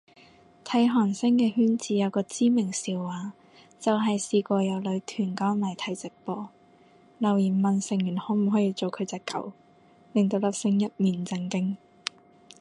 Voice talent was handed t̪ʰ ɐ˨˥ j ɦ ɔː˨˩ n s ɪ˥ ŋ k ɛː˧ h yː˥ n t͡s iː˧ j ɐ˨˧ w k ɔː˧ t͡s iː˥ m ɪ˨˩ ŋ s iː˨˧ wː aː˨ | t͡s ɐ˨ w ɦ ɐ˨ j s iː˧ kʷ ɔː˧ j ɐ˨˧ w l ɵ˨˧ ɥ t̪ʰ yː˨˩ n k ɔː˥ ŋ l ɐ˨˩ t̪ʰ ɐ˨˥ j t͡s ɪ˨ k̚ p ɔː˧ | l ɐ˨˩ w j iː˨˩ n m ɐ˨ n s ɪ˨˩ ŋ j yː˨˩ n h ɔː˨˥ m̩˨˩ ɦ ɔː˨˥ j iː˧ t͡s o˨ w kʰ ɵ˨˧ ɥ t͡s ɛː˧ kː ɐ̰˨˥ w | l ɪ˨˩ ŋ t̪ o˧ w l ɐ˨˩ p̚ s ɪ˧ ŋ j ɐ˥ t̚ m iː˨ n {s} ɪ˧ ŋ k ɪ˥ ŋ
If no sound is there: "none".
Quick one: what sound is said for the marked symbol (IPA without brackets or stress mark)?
t͡s